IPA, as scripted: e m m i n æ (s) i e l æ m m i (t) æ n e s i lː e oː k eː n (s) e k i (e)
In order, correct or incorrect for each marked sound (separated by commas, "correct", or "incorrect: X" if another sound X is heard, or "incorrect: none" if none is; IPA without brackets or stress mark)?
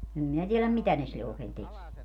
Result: incorrect: t, correct, incorrect: t, correct